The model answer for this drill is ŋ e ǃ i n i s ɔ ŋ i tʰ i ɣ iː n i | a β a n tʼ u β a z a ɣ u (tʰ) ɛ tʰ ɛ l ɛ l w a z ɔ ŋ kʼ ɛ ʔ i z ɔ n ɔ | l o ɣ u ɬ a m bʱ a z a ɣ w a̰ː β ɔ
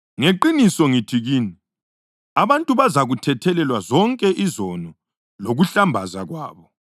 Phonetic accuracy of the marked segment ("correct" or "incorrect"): correct